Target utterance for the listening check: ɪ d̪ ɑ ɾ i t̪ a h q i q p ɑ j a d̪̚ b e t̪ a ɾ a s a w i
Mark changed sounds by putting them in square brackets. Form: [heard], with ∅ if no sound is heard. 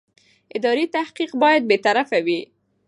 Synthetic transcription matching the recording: ɪ d̪ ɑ ɾ i t̪ a h q i q [b] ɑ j a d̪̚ b e t̪ a ɾ a [f] a w i